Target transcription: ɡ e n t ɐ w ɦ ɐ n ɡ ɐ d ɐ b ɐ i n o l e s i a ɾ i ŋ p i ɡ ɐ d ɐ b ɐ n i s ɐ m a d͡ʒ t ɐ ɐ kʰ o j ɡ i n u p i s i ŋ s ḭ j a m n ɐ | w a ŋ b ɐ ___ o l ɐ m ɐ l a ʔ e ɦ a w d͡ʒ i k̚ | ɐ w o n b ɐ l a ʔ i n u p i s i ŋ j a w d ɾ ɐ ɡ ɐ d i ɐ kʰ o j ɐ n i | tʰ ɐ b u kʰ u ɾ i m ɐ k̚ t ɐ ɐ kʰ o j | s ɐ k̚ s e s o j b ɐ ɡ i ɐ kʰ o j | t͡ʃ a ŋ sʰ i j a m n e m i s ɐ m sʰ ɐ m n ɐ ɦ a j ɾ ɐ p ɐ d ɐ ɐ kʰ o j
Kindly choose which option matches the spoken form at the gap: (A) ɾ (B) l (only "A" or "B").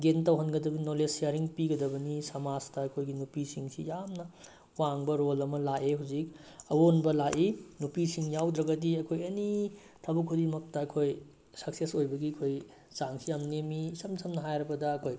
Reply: A